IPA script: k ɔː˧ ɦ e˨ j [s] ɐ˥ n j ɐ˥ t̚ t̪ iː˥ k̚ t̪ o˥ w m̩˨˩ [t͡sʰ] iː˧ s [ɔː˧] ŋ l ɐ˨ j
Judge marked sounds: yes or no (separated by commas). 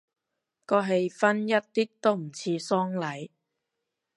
no, yes, no